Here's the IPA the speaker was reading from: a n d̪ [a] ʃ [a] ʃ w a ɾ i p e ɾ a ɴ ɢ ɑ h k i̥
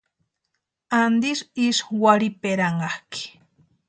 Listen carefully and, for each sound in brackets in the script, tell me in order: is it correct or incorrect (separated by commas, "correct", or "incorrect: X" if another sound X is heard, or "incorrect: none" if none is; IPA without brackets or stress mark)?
incorrect: i, incorrect: i